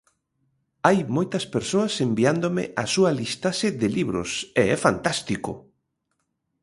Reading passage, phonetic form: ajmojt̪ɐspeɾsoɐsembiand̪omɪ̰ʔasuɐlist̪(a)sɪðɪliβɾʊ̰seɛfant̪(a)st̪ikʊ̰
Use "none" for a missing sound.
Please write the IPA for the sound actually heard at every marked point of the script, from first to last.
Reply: a, a

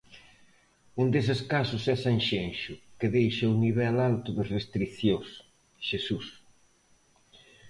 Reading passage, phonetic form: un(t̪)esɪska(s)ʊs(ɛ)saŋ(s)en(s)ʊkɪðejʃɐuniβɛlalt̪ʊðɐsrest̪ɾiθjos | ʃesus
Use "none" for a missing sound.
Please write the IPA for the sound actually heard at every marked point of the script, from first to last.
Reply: d̪, s, ɛ, ʃ, ʃ

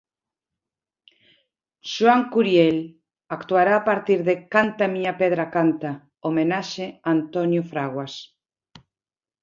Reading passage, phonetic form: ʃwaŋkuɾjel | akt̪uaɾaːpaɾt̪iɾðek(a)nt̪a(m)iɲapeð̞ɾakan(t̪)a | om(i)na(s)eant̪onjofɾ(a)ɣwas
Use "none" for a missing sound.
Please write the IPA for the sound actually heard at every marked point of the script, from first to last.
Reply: a, m, t̪, e, ʃ, a

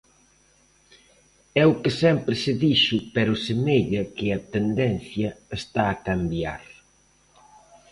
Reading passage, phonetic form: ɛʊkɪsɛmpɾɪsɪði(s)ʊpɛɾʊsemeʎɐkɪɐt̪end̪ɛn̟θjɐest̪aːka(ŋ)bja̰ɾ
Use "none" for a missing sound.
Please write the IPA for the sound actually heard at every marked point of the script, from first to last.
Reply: ʃ, m

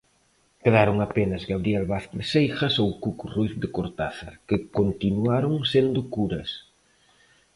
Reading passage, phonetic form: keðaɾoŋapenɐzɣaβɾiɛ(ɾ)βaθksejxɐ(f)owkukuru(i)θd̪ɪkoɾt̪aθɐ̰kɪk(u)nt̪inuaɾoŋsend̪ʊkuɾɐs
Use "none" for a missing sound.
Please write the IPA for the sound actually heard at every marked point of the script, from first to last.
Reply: l, s, j, o

